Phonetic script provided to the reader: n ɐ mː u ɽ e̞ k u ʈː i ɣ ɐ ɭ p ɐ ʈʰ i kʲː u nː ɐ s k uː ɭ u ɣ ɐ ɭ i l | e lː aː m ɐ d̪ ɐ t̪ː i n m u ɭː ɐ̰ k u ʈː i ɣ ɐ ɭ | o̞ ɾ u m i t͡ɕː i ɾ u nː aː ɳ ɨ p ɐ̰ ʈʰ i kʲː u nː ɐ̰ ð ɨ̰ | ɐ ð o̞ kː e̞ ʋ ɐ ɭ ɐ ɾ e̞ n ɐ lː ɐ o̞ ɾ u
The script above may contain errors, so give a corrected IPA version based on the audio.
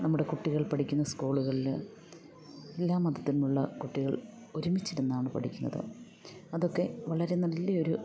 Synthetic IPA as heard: n ɐ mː u ɽ e̞ k u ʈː i ɣ ɐ ɭ p ɐ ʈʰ i kʲː u nː ɐ s k uː ɭ u ɣ ɐ ɭ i l | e lː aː m ɐ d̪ ɐ t̪ː i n m u ɭː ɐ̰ k u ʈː i ɣ ɐ ɭ | o̞ ɾ u m i t͡ɕː i ɾ u nː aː ɳ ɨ p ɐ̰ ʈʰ i kʲː u nː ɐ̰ ð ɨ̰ | ɐ ð o̞ kː e̞ ʋ ɐ ɭ ɐ ɾ e̞ n ɐ lː ɐ o̞ ɾ u